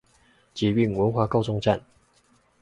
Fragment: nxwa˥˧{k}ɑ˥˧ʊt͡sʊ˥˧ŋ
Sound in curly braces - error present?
no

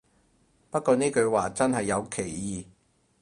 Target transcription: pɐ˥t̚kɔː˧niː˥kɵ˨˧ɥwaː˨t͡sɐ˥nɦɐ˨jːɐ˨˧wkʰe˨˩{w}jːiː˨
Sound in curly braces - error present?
yes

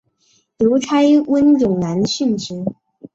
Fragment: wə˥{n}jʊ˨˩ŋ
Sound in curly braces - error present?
no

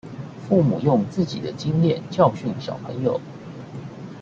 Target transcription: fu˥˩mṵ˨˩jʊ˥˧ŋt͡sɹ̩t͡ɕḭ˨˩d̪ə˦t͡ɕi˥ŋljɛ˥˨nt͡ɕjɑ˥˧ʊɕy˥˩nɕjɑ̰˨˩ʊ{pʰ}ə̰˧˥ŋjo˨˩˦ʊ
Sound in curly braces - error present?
no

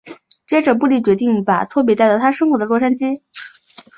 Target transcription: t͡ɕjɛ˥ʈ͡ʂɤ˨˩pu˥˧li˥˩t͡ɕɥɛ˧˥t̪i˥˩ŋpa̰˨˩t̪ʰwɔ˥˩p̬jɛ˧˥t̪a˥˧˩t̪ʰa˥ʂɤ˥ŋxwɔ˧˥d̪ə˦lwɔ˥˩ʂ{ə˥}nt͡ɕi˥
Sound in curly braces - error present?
yes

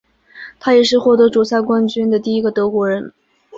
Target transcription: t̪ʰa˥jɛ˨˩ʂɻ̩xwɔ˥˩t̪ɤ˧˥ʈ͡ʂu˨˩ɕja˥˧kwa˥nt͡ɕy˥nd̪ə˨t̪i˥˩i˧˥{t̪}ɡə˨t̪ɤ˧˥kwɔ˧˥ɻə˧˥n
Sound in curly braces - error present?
yes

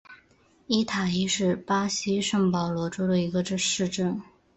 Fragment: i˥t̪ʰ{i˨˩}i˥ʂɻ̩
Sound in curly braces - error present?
yes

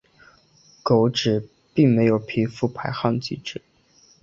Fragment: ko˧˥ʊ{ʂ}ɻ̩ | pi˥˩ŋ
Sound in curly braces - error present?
yes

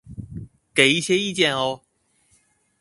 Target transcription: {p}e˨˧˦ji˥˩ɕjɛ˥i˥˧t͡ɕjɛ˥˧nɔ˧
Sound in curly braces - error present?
yes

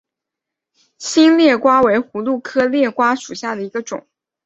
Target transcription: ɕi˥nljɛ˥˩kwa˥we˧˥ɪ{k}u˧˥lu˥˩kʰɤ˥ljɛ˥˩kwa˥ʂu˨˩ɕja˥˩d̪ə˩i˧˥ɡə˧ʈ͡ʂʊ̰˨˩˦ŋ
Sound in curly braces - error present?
yes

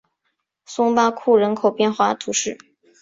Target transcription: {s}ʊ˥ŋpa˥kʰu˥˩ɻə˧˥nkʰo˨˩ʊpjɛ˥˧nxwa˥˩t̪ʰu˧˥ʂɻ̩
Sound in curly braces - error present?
no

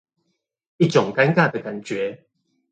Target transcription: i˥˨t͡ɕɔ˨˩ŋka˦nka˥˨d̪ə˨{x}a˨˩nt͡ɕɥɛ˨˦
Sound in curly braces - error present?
yes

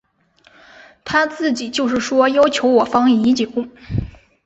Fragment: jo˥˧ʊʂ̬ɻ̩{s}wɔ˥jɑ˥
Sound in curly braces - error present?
yes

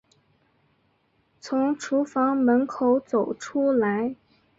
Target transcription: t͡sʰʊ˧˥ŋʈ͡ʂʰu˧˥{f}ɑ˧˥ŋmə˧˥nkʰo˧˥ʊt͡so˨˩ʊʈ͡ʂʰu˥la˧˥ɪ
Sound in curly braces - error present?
no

